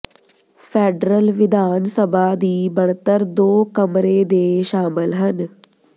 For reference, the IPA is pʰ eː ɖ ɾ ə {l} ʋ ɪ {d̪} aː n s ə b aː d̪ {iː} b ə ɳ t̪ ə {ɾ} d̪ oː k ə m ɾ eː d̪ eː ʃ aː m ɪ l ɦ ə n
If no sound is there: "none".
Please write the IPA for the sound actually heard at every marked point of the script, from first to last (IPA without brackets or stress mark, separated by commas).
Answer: l, d̪, iː, ɾ